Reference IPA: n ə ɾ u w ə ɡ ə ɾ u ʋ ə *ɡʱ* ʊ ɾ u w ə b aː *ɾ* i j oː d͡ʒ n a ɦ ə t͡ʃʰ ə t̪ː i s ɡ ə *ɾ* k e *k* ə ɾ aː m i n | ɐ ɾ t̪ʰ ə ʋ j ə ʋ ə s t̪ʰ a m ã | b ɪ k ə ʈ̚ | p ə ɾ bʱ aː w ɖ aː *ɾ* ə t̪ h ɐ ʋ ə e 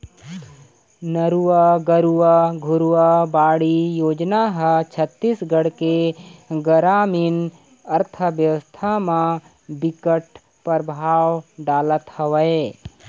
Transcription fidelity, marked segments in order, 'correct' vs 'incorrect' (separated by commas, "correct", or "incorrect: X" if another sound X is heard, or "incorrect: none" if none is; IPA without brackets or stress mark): correct, incorrect: ɽ, incorrect: ɽ, incorrect: ɡ, incorrect: l